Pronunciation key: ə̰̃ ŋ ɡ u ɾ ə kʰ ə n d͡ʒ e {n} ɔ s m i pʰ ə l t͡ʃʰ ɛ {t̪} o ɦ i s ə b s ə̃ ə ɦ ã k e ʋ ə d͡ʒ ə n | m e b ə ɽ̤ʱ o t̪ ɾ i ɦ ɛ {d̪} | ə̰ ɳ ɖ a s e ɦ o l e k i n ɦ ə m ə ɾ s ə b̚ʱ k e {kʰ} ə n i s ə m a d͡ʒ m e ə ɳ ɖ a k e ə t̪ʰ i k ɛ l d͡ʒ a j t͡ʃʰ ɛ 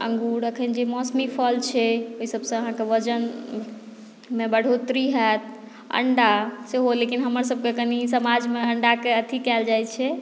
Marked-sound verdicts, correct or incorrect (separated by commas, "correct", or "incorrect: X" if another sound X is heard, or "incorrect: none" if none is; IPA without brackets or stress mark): incorrect: m, incorrect: none, incorrect: t̪, incorrect: k